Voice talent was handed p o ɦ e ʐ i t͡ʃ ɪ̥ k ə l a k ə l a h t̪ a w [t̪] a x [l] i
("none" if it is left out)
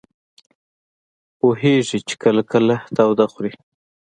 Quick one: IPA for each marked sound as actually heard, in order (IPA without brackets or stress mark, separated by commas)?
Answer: d̪, ɾ